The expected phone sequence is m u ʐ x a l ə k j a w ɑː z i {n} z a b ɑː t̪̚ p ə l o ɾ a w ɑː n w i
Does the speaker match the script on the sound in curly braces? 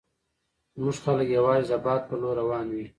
no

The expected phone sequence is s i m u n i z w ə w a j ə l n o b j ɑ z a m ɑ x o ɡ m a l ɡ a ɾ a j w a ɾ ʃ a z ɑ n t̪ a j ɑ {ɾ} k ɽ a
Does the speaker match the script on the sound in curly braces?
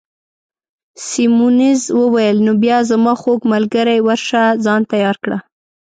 yes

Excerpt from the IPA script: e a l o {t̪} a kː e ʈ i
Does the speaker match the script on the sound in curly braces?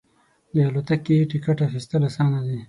yes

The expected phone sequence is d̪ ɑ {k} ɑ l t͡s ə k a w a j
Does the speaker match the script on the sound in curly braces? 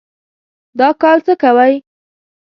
yes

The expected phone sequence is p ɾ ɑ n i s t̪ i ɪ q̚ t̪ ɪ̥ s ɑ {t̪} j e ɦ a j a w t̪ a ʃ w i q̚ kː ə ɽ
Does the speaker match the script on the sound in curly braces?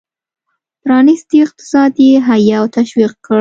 no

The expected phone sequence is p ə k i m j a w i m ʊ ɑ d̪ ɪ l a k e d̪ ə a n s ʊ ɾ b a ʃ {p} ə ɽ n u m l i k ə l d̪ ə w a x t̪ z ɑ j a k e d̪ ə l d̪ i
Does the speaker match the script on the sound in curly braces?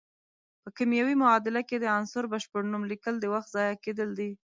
yes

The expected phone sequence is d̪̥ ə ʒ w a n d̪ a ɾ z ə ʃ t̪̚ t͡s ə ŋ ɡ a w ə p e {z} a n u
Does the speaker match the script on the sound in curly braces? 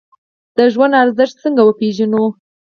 no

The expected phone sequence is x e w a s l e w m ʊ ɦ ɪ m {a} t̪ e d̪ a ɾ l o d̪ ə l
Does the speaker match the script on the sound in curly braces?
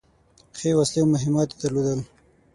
no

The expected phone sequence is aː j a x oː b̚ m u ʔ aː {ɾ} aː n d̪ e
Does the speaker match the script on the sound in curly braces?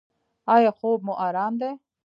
yes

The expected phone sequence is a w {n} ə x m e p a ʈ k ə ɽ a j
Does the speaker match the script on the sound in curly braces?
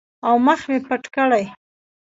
no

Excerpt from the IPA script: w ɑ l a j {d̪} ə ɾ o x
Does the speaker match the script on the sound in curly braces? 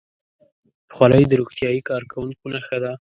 yes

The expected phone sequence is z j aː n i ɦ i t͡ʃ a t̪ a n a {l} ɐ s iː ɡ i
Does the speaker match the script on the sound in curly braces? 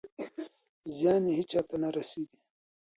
no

